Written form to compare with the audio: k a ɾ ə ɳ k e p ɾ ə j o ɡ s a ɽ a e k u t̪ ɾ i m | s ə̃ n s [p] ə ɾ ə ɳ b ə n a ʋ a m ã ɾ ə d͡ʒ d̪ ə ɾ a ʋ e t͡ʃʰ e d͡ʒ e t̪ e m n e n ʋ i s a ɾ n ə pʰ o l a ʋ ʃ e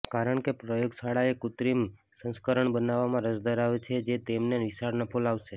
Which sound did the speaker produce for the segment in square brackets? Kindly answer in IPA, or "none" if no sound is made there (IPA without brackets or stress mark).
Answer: k